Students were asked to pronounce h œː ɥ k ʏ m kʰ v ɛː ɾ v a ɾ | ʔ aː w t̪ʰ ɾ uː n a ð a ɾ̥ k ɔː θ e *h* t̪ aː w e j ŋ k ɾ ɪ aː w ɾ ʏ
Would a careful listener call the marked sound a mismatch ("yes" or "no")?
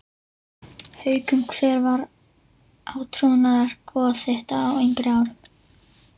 no